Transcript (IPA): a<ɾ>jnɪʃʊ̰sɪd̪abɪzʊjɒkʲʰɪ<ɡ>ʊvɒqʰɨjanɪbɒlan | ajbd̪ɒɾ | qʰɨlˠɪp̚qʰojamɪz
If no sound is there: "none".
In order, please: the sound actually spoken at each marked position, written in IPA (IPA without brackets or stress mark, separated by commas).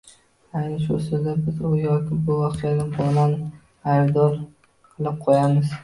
none, b